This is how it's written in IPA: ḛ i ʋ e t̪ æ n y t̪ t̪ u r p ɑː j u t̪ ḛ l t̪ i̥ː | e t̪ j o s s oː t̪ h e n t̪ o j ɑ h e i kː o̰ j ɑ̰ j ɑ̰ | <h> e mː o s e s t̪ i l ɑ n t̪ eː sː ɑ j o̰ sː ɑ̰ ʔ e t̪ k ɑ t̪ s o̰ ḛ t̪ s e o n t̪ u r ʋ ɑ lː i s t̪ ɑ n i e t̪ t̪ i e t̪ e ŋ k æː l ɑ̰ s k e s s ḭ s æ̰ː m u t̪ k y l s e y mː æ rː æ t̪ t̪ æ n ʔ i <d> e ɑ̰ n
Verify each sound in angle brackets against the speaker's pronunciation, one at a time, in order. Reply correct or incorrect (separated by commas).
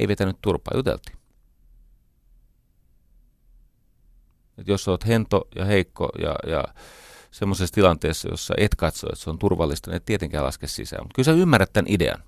incorrect, correct